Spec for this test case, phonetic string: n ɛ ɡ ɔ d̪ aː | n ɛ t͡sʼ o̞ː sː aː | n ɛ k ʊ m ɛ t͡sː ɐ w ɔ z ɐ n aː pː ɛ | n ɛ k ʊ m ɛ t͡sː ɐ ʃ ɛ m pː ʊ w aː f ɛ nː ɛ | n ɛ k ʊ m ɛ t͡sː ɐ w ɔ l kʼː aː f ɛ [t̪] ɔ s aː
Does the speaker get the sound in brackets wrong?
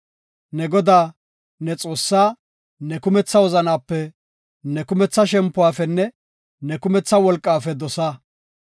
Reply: yes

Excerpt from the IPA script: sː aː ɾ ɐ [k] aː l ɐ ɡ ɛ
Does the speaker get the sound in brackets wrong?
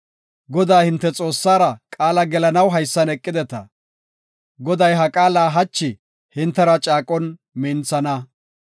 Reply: yes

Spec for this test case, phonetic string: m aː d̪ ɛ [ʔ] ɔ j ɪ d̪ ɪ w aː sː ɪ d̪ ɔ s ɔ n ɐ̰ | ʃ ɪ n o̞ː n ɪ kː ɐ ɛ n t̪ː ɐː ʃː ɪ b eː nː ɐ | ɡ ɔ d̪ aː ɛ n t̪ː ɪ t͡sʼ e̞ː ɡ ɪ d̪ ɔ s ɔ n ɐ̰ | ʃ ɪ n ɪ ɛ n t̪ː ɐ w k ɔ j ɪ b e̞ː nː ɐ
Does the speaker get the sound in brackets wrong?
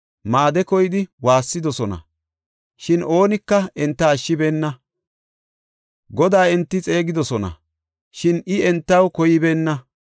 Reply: yes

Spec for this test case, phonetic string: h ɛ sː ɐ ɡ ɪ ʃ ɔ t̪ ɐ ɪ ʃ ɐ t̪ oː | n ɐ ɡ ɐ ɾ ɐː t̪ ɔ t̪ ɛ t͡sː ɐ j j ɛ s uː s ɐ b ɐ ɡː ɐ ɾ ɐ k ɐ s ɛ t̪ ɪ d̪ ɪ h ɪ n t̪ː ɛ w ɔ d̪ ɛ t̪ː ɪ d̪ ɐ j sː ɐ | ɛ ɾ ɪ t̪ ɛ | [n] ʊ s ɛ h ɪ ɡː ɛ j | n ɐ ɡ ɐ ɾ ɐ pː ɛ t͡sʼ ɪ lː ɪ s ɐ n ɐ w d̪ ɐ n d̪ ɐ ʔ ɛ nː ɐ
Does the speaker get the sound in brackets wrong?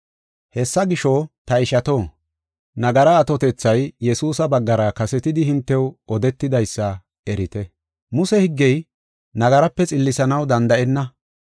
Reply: yes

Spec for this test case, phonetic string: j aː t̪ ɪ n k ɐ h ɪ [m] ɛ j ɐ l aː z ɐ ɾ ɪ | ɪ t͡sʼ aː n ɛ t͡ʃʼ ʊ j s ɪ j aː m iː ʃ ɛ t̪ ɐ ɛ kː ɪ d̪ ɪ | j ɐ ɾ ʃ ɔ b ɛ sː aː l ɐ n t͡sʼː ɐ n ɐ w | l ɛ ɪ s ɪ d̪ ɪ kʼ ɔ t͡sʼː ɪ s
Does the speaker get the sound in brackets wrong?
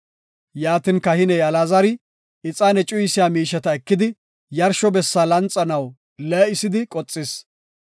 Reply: yes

